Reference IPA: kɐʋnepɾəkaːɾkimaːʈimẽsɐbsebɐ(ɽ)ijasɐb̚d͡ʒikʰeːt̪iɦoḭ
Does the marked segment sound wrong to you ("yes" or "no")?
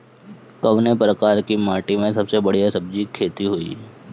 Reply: no